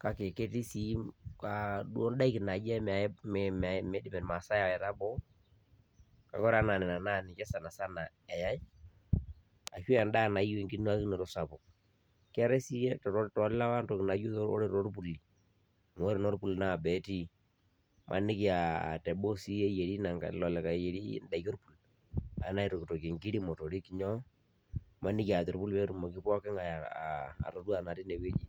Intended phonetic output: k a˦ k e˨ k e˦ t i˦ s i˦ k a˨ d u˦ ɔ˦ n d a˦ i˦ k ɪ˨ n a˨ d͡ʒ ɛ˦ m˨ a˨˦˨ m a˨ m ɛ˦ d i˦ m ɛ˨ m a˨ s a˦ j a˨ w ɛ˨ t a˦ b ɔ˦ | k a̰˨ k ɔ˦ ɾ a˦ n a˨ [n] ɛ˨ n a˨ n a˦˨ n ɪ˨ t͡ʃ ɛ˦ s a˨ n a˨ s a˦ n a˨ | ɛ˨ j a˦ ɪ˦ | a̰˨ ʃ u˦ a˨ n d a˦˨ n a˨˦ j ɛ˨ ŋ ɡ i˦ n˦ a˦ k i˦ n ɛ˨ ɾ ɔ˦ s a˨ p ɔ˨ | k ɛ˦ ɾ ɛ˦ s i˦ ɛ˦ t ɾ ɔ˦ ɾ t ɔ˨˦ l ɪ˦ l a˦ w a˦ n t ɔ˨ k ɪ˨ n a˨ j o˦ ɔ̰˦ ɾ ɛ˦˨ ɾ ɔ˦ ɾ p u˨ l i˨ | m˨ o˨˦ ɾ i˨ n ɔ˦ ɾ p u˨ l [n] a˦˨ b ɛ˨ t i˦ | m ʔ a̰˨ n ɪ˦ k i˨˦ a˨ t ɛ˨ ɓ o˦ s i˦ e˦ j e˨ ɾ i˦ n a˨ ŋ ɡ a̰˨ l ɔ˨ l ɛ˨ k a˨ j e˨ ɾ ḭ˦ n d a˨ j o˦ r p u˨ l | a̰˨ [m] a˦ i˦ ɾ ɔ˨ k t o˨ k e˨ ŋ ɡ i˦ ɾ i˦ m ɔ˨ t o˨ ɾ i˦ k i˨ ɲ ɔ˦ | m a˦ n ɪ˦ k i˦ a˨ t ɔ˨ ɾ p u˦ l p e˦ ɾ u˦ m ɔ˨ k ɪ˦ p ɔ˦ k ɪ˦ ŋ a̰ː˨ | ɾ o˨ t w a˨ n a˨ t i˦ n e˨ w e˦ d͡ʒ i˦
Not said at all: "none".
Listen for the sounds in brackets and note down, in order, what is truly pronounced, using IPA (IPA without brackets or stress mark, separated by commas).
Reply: n, n, n